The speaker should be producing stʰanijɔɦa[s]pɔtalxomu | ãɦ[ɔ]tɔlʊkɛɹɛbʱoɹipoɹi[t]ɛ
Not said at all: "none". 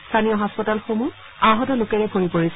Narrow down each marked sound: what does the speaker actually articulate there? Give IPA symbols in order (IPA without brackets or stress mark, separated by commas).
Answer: s, ɔ, s